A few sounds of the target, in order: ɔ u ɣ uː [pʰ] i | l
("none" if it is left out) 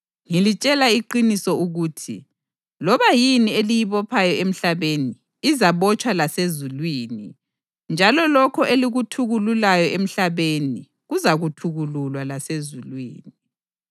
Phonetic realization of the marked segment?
tʰ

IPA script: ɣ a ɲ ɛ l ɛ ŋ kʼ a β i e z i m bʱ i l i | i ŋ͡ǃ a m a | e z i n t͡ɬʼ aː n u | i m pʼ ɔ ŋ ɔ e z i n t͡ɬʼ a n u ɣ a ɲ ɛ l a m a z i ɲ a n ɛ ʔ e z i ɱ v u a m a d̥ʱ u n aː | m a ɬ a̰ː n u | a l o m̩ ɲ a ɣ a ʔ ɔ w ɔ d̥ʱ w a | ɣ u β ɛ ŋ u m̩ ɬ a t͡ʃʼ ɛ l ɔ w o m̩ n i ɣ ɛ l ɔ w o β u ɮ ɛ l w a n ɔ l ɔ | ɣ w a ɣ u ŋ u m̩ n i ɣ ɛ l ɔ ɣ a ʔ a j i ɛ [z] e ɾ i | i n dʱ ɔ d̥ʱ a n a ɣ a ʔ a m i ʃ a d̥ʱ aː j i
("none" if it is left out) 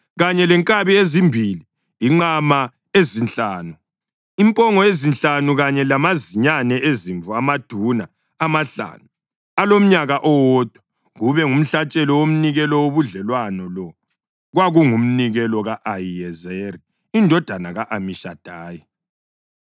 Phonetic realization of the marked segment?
z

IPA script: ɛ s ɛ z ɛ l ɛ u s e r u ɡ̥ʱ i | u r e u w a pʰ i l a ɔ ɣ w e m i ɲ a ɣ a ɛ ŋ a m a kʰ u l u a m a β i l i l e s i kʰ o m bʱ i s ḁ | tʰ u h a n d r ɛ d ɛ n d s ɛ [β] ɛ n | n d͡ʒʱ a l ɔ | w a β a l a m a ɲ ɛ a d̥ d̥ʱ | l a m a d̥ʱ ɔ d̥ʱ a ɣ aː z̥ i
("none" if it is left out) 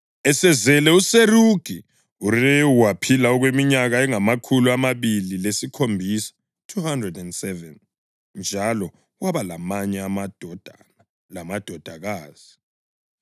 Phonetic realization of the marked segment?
v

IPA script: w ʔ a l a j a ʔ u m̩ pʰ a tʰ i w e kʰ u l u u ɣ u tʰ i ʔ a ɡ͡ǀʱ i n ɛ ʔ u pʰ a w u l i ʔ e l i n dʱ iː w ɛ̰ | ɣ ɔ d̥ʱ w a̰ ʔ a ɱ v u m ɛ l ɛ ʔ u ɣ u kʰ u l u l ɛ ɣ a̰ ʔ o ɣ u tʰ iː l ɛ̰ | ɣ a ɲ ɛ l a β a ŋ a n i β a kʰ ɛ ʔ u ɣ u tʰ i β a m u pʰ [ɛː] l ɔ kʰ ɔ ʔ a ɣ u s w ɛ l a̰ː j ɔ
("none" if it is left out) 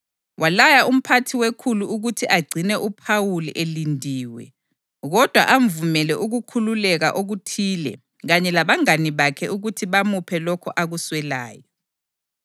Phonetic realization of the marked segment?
ɛ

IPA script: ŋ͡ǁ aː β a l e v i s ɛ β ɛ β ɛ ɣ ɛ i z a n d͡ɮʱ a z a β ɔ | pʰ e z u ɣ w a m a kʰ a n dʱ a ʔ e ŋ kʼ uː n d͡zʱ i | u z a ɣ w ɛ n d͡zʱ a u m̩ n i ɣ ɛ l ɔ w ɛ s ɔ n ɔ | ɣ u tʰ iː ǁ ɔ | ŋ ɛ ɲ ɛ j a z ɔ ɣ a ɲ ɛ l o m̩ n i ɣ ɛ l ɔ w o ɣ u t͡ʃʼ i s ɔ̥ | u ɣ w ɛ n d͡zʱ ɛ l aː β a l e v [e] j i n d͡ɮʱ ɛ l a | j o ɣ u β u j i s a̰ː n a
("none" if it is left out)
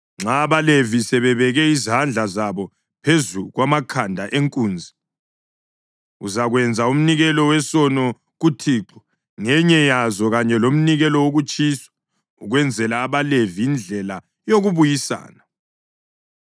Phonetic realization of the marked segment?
i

